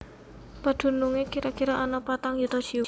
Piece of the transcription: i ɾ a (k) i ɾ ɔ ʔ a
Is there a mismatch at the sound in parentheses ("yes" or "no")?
no